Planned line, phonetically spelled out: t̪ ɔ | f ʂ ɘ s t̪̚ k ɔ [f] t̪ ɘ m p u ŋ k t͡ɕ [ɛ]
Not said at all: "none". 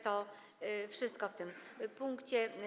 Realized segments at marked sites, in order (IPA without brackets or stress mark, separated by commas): f, ɛ